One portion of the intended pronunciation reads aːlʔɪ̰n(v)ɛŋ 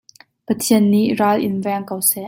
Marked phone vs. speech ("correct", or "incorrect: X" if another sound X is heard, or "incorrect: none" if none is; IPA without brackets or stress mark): correct